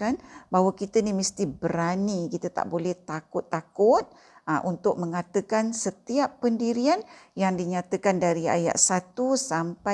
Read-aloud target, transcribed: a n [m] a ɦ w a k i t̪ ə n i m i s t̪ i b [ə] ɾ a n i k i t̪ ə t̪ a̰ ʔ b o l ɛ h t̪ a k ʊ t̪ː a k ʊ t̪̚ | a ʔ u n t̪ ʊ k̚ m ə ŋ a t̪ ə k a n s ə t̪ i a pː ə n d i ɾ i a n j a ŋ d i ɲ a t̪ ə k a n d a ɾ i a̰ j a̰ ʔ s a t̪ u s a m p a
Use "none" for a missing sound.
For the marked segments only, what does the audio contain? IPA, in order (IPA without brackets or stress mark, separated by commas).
b, ə